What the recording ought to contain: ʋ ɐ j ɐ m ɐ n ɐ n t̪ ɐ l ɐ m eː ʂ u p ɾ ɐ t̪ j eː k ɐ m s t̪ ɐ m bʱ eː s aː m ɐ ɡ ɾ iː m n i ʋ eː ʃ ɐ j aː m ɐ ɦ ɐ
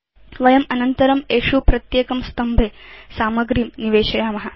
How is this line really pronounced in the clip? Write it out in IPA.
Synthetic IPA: ʋ ɐ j ɐ m ɐ n ɐ n t̪ ɐ ɾ ɐ m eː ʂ u p ɾ ɐ t̪ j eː k ɐ m s t̪ ɐ m bʱ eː s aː m ɐ ɡ ɾ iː m n i ʋ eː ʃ ɐ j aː m ɐ ɦ ɐ